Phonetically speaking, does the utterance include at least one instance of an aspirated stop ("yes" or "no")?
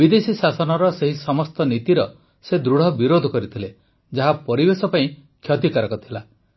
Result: yes